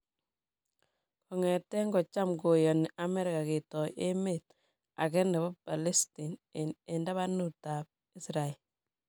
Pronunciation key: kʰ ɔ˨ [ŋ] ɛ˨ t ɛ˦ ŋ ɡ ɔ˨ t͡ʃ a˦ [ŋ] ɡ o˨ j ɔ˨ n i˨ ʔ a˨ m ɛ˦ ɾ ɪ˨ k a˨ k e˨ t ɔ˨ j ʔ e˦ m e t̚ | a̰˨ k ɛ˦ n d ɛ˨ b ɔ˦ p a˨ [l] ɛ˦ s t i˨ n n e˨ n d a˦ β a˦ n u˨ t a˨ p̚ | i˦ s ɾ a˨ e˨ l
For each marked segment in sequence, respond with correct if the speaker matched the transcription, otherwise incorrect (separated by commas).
correct, incorrect, correct